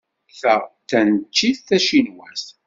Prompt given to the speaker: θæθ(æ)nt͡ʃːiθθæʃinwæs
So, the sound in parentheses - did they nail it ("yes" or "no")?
yes